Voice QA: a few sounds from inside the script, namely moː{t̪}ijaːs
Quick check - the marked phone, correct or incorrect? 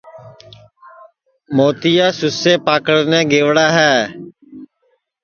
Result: correct